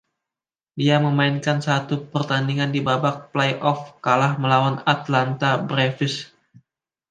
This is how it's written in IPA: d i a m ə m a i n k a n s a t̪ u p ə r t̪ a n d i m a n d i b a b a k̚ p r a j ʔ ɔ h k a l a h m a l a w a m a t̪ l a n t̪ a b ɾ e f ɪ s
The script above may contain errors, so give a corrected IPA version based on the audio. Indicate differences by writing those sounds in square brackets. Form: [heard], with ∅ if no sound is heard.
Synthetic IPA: d i a m ə m a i n k a n s a t̪ u p ə r t̪ a n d i [ŋ] a n d i b a b a k̚ p [l] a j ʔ ɔ [f] k a l a h m [ə] l a w a [n] a t̪ l a n t̪ a b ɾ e f ɪ s